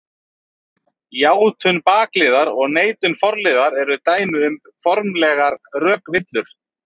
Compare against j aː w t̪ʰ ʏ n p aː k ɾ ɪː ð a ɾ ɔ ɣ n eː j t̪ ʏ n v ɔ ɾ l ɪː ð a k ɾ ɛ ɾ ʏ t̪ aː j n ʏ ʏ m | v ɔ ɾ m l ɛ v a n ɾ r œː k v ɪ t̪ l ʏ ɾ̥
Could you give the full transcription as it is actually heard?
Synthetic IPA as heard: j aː w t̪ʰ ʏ n p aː k l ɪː ð a ɾ ɔ ɣ n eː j t̪ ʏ n f ɔ ɾ l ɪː ð a ɾ ɛ ɾ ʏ t̪ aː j n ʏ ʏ m | f ɔ ɾ m l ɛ ɣ a ɾ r œː k v ɪ t̪ l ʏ ɾ̥